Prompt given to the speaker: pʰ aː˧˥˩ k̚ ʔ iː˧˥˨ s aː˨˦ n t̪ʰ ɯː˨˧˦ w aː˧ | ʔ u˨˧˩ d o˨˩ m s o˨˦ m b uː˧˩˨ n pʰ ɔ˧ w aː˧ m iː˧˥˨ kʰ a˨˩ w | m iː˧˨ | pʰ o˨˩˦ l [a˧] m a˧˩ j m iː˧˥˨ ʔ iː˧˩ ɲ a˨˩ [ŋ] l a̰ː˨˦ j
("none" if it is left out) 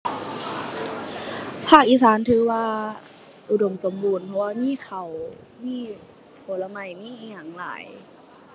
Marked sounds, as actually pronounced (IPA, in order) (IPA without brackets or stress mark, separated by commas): a˧, ŋ